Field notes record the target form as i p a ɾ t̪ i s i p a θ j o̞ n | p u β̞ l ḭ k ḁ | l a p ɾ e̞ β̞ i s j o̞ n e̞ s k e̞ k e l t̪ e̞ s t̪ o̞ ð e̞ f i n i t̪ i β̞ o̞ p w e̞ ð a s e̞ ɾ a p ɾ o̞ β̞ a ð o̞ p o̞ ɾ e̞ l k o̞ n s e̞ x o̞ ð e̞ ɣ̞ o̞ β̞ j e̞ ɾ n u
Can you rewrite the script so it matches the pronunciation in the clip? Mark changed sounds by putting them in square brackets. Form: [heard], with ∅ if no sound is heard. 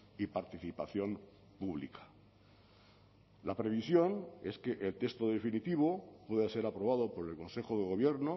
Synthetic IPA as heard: i p a ɾ t̪ i [θ] i p a θ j o̞ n | p u β̞ l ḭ k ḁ | l a p ɾ e̞ β̞ i s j o̞ n e̞ s k e̞ [ʔ] e l t̪ e̞ s t̪ o̞ ð e̞ f i n i t̪ i β̞ o̞ p w e̞ ð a s e̞ ɾ a p ɾ o̞ β̞ a ð o̞ p o̞ ɾ e̞ l k o̞ n s e̞ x o̞ ð e̞ ɣ̞ o̞ β̞ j e̞ ɾ n [o]